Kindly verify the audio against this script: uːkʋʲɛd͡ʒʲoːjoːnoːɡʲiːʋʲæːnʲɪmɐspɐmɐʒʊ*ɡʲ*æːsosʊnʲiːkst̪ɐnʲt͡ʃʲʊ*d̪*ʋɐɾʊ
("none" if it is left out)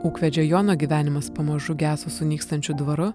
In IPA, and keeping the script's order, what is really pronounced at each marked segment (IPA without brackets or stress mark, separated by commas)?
ɡʲ, d̪